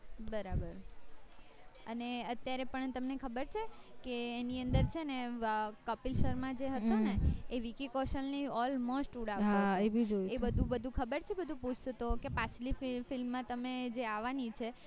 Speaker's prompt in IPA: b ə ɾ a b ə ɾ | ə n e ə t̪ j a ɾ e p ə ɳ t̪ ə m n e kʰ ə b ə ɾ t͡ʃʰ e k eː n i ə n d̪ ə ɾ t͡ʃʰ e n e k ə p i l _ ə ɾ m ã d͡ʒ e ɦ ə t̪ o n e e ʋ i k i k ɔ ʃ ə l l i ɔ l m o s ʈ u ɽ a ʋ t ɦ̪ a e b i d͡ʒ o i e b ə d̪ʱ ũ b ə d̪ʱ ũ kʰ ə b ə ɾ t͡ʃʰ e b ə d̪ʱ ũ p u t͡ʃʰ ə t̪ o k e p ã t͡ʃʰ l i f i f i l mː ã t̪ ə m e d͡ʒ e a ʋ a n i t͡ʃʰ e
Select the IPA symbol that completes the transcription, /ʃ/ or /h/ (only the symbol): ʃ